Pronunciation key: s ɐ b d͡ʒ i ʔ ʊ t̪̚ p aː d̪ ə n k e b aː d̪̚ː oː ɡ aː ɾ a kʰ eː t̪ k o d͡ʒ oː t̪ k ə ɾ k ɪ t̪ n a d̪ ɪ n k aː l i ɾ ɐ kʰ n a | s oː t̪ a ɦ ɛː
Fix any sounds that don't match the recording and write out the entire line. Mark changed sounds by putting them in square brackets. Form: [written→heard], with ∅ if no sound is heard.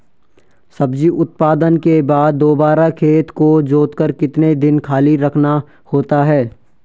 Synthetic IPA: s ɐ b d͡ʒ i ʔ ʊ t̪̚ p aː d̪ ə n k e b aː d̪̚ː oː [ɡ→b] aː ɾ a kʰ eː t̪ k o d͡ʒ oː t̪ k ə ɾ k ɪ t̪ n [a→e] d̪ ɪ n [k→kʰ] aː l i ɾ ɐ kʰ n a | [s→h] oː t̪ a ɦ ɛː

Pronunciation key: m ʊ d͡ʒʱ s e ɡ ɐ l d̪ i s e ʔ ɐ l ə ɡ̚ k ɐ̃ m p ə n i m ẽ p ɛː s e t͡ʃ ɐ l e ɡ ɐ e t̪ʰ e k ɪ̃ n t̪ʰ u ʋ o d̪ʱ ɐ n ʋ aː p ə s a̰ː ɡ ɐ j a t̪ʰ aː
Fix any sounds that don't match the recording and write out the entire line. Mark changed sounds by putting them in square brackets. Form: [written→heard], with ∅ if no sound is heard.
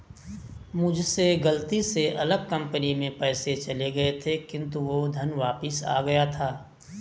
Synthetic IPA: m ʊ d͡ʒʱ s e ɡ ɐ l [d̪→t̪] i s e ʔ ɐ l ə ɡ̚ k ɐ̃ m p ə n i m ẽ p ɛː s e t͡ʃ ɐ l e ɡ ɐ e t̪ʰ e k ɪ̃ n [t̪ʰ→t̪] u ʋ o d̪ʱ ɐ n ʋ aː p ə s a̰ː ɡ ɐ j a t̪ʰ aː

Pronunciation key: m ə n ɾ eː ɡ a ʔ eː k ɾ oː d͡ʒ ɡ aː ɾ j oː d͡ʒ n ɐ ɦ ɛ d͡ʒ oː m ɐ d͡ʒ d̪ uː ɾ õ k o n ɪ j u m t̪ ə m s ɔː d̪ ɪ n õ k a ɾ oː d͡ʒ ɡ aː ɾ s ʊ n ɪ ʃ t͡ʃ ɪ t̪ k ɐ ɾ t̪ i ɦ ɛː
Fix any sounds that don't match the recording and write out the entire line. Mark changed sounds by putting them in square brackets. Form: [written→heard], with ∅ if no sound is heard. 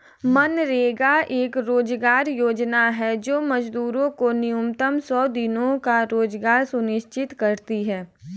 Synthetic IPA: m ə n ɾ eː ɡ a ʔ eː k ɾ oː d͡ʒ ɡ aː ɾ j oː d͡ʒ n [ɐ→a] ɦ ɛ d͡ʒ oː m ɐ d͡ʒ d̪ uː ɾ õ k o n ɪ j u m t̪ ə m s ɔː d̪ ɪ n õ k a ɾ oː d͡ʒ ɡ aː ɾ s ʊ n ɪ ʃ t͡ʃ ɪ t̪ k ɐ ɾ t̪ i ɦ ɛː

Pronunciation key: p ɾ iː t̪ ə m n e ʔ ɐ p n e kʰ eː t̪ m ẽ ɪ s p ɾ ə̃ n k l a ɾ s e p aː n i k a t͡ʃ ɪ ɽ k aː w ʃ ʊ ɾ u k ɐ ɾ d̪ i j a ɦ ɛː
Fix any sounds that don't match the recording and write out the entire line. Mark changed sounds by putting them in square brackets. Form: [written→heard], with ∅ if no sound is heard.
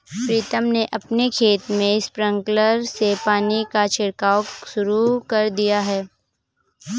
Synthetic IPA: p ɾ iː t̪ ə m n e ʔ ɐ p n e kʰ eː t̪ m ẽ ɪ s p ɾ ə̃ [n→ŋ] k l [a→ə] ɾ s e p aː n i k a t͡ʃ ɪ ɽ k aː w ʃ ʊ ɾ u k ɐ ɾ d̪ i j a ɦ ɛː

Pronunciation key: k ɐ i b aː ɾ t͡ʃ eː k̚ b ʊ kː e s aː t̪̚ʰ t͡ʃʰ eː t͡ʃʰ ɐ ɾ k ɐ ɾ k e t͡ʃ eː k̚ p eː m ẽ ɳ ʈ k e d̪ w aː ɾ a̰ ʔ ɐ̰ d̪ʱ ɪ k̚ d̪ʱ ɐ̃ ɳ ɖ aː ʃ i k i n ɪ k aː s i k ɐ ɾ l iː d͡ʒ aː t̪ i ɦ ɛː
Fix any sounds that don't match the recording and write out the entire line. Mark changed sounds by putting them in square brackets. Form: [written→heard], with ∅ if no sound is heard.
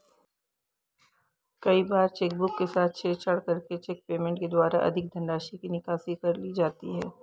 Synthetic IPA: k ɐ i b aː ɾ t͡ʃ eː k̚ b ʊ kː e s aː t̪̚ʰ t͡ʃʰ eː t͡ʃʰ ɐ [ɾ→ɽ] k ɐ ɾ k e t͡ʃ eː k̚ p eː m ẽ ɳ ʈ k e d̪ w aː ɾ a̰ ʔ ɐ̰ d̪ʱ ɪ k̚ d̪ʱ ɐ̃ ɳ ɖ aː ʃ i k i n ɪ k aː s i k ɐ ɾ l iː d͡ʒ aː t̪ i ɦ ɛː

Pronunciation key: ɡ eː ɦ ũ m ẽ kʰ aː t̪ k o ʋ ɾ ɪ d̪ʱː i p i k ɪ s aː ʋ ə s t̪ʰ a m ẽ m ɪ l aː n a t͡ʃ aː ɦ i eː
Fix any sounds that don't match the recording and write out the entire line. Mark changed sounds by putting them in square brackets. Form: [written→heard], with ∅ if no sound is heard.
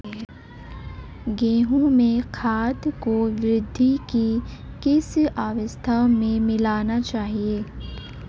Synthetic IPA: ɡ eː ɦ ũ m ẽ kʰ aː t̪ k o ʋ ɾ ɪ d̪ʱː i [p→k] i k ɪ s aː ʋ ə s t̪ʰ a m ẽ m ɪ l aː n a t͡ʃ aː ɦ i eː

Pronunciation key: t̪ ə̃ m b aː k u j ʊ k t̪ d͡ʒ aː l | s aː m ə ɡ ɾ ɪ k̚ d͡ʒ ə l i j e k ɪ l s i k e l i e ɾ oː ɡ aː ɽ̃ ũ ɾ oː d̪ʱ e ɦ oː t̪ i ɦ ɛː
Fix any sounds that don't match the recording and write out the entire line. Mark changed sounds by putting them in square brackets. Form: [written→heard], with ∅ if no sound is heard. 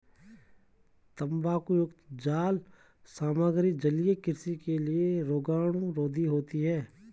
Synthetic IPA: t̪ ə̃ m b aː k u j ʊ k t̪ d͡ʒ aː l | s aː m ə ɡ ɾ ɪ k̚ d͡ʒ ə l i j e k ɪ [l→ɾ] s i k e l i e ɾ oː ɡ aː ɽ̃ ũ ɾ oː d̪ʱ [e→i] ɦ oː t̪ i ɦ ɛː

